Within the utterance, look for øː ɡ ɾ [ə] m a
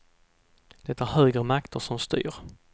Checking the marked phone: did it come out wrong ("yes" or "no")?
no